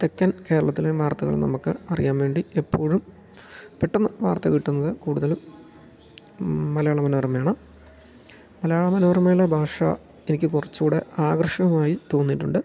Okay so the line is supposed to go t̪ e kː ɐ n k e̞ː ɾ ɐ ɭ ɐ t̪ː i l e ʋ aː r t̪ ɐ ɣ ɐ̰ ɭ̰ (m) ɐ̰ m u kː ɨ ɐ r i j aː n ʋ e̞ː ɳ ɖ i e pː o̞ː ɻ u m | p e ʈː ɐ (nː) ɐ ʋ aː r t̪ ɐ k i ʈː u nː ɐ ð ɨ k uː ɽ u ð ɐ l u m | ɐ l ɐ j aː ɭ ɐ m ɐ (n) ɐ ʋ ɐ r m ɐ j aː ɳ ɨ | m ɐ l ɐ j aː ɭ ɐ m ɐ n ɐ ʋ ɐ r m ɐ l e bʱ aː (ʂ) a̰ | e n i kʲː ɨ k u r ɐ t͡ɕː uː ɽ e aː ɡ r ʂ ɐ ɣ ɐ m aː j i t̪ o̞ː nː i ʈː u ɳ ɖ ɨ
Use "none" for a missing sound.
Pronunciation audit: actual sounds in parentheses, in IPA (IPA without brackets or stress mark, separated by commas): n, nː, n, ʂ